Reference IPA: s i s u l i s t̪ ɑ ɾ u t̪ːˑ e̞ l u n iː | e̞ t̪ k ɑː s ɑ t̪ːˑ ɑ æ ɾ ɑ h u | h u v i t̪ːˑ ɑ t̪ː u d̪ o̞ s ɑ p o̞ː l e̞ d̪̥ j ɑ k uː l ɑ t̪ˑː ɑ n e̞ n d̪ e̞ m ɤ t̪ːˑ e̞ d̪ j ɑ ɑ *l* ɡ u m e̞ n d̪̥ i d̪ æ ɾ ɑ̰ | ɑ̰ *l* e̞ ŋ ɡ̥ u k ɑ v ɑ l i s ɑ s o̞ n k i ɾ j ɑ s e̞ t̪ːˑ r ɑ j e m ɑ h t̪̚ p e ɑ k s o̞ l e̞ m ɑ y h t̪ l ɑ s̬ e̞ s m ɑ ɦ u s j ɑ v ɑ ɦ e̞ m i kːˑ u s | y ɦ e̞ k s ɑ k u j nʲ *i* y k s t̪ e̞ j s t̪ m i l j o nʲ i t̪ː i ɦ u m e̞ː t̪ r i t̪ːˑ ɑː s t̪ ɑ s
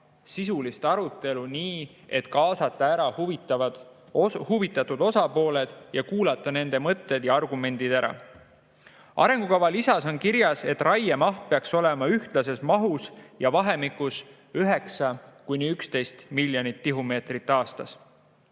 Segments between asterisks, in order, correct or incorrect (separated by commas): incorrect, incorrect, correct